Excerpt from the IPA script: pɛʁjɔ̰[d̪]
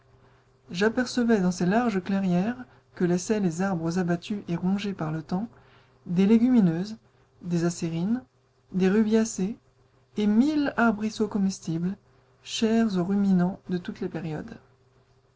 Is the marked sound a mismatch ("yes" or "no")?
no